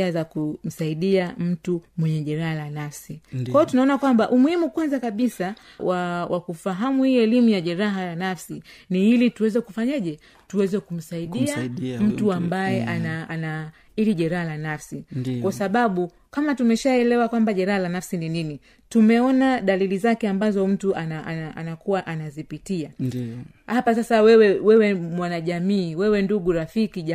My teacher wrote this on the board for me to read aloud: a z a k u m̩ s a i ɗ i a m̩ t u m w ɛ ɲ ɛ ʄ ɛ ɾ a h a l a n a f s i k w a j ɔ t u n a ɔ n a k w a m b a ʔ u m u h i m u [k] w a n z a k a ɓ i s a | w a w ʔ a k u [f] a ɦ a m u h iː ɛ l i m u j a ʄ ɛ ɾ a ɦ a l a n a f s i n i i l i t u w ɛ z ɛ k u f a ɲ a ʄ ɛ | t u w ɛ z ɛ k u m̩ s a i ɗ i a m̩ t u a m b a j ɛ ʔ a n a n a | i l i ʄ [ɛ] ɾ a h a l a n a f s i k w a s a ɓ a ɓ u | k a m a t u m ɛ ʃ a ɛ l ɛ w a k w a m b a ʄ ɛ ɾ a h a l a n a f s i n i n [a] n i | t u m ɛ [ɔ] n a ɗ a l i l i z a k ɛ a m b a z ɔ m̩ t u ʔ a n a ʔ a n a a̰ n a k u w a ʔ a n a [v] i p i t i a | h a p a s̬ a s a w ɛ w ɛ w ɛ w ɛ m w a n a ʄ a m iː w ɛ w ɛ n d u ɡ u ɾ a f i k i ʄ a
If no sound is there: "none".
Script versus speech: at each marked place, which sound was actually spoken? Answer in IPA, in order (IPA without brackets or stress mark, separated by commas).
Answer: k, f, ɛ, i, ɔ, z